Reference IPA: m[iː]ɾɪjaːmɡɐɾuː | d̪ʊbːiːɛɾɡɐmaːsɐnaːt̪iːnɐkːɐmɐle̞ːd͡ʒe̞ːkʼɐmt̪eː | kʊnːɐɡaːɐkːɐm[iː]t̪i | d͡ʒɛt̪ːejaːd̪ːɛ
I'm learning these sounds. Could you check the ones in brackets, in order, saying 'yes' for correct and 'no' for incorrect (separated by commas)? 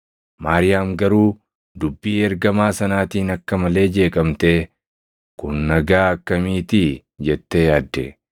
no, yes